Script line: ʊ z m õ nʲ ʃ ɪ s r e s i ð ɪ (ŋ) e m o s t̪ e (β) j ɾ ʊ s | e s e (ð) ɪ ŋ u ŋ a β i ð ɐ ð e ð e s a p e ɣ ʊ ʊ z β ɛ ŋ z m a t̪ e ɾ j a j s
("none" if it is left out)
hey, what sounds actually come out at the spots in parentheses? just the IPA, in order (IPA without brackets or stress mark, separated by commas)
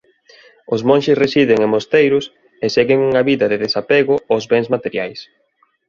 ŋ, none, ɣ